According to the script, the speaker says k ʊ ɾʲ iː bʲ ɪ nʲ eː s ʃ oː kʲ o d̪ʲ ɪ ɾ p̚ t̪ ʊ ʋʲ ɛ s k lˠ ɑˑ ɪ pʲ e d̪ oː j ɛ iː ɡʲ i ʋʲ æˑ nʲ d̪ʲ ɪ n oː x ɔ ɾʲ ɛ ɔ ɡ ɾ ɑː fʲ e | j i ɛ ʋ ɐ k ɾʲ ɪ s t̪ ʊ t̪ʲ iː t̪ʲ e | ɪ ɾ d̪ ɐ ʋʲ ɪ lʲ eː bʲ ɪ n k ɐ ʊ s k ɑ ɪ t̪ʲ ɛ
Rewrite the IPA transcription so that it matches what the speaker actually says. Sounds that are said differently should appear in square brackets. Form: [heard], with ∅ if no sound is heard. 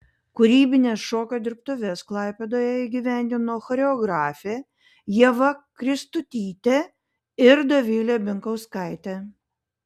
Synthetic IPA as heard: k ʊ ɾʲ iː bʲ ɪ nʲ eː s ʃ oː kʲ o d̪ʲ ɪ ɾ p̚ t̪ ʊ ʋʲ ɛ s k lˠ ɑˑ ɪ pʲ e d̪ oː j ɛ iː ɡʲ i ʋʲ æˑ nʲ d̪ʲ ɪ n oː x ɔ ɾʲ ɛ ɔ ɡ ɾ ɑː fʲ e | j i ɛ ʋ ɐ k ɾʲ ɪ s t̪ ʊ t̪ʲ iː t̪ʲ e | ɪ ɾ d̪ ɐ ʋʲ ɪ lʲ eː bʲ ɪ [ŋ] k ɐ ʊ s k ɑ ɪ t̪ʲ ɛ